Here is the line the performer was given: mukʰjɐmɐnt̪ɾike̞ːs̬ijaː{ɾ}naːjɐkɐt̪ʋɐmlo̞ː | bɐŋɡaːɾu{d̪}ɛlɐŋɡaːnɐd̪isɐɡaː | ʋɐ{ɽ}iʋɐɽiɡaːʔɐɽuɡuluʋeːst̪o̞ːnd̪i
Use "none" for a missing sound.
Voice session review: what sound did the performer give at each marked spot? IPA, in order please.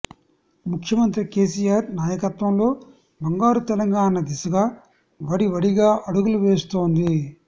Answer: ɾ, t̪, ɽ

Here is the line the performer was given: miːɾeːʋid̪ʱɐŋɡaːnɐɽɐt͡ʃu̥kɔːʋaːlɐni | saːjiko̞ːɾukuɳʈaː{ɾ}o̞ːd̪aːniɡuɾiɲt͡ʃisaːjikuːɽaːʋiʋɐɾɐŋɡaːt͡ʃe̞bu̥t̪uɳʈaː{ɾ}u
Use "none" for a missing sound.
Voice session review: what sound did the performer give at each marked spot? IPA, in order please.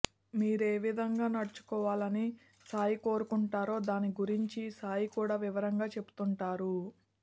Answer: ɾ, ɾ

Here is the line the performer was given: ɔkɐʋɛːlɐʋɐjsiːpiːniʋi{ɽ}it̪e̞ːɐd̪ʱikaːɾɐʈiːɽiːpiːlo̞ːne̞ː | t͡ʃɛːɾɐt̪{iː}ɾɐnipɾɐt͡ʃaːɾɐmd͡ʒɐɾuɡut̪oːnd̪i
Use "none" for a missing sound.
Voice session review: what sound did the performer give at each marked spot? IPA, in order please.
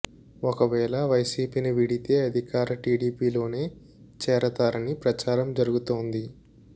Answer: ɽ, aː

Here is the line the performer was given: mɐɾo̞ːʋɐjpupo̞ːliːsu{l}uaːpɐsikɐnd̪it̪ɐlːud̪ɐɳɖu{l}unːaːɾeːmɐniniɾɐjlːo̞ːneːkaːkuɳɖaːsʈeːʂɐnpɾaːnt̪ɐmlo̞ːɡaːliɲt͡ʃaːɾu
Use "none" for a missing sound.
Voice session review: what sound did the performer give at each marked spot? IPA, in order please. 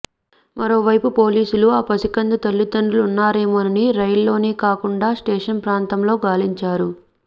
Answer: l, l

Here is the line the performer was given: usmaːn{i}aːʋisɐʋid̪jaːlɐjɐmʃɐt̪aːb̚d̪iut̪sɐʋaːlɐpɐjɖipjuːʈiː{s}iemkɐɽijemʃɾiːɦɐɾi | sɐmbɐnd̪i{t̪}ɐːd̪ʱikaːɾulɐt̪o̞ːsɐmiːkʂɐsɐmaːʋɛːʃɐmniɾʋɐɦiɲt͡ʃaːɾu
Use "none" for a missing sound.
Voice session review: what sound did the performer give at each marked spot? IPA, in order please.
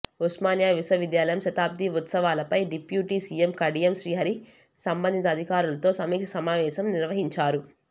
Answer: j, s, t̪

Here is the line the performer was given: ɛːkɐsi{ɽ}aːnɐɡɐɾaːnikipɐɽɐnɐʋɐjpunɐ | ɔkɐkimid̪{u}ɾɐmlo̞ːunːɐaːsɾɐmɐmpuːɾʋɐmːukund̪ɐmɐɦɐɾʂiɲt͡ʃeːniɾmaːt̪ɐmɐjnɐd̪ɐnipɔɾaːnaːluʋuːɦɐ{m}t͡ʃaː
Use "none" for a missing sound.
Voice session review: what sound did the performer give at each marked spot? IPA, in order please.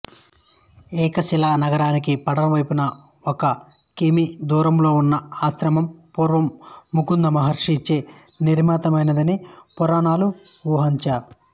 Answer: l, uː, ɲ

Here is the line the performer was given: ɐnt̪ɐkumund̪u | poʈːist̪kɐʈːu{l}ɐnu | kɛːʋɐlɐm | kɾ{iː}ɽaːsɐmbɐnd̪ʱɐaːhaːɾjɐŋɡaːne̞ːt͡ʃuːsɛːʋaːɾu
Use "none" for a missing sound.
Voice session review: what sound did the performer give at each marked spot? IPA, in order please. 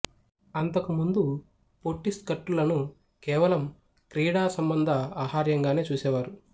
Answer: l, iː

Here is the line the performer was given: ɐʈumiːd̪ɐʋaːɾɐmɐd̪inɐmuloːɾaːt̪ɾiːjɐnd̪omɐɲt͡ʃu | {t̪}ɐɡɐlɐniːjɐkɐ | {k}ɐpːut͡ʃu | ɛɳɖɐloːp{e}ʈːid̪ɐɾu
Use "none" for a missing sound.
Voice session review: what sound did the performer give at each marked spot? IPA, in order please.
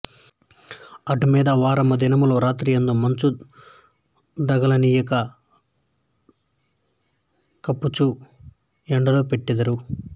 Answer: d̪, k, e

